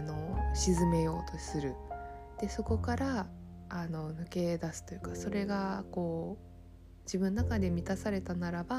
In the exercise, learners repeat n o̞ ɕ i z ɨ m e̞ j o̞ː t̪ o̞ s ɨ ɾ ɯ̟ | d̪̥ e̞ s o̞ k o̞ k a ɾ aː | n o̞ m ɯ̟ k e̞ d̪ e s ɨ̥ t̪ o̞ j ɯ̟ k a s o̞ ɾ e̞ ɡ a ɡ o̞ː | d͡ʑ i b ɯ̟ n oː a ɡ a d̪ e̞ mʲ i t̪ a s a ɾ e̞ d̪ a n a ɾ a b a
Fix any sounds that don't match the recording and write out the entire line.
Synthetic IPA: n o̞ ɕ i z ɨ m e̞ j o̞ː t̪ o̞ s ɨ ɾ ɯ̟ | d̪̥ e̞ s o̞ k o̞ k a ɾ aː | n o̞ n ɯ̟ k e̞ d̪ a s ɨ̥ t̪ o̞ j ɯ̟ k a s o̞ ɾ e̞ ɡ a k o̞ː | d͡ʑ i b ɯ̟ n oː a k a d̪ e̞ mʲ i t̪ a s a ɾ e̞ t̪ a n a ɾ a b a